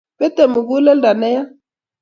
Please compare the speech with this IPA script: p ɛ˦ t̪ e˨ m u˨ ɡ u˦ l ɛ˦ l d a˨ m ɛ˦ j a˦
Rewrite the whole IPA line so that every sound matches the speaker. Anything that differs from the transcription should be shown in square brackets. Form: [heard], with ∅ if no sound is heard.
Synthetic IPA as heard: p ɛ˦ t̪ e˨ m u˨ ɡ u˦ l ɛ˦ l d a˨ [n] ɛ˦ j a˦